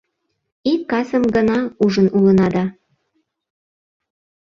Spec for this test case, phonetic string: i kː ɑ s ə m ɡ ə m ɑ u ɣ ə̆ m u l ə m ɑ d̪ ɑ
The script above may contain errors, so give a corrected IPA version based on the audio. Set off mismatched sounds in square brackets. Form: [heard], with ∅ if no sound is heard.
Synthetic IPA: i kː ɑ s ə m ɡ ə [n] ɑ u [ʒ] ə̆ [n] u l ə [n] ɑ d̪ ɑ